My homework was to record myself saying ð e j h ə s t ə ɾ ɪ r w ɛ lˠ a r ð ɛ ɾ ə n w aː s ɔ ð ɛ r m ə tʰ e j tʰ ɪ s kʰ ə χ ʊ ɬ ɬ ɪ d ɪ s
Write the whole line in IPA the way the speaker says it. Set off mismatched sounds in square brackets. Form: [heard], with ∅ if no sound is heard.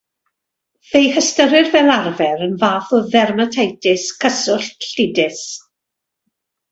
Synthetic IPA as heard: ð e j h ə s t ə ɾ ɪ r [v] ɛ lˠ a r [v] ɛ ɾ ə n [v] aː [θ] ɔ ð ɛ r m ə tʰ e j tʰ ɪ s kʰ ə [s] ʊ ɬ ɬ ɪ d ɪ s